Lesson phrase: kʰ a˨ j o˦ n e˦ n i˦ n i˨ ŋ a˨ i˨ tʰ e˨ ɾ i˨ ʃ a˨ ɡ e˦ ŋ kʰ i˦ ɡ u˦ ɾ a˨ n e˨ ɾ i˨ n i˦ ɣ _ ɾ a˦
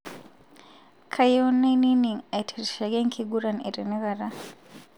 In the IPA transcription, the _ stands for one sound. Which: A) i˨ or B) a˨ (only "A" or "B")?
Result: B